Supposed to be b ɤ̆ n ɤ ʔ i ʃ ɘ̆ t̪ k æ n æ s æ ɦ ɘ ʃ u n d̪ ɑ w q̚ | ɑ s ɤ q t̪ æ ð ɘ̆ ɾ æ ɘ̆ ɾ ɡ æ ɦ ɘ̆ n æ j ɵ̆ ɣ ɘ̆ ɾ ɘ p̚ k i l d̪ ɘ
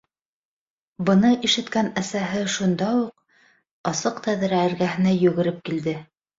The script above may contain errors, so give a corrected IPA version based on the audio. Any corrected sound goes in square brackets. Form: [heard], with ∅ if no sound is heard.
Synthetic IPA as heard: b ɤ̆ n ɤ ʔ i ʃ ɘ̆ t̪ k æ n æ s æ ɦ ɘ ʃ u n d̪ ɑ [u] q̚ | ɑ s ɤ q t̪ æ ð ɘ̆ ɾ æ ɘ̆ ɾ ɡ æ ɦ ɘ̆ n æ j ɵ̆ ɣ ɘ̆ ɾ ɘ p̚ k i l d̪ ɘ